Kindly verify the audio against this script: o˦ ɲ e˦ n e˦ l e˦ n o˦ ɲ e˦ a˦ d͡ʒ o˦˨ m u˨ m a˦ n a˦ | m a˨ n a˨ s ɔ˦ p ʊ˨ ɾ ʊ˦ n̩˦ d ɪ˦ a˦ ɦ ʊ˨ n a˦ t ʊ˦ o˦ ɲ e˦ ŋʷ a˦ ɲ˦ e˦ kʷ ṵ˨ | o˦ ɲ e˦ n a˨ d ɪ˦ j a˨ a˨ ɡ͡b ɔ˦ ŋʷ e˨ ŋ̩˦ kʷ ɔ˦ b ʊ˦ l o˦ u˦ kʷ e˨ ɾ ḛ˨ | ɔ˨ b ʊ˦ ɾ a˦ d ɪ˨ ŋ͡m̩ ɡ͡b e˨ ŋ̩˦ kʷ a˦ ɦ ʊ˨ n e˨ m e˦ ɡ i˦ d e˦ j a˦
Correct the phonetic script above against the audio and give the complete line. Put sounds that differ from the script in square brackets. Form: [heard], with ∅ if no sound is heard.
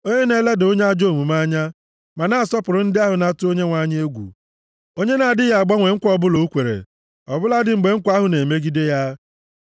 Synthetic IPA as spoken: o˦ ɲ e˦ n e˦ l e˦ [d] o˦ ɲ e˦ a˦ d͡ʒ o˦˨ m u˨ m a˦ [ɲ] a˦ | m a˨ n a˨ s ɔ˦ p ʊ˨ ɾ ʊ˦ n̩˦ d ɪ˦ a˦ ɦ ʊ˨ n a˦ t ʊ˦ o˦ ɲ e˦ ŋʷ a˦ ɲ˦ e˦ [ɡʷ] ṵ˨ | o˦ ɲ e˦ n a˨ d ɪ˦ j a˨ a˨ ɡ͡b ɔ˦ ŋʷ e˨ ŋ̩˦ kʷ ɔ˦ b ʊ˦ l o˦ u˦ kʷ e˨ ɾ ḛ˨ | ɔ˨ b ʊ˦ [l] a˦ d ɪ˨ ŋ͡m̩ ɡ͡b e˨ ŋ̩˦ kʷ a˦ ɦ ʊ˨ n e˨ m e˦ ɡ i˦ d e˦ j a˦